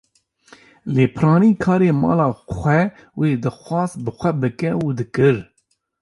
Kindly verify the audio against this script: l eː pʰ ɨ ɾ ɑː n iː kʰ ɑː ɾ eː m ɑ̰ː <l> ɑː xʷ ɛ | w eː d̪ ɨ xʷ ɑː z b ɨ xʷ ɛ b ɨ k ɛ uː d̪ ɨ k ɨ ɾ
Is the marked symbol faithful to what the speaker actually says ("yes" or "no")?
yes